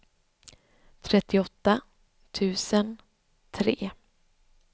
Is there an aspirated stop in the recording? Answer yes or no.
yes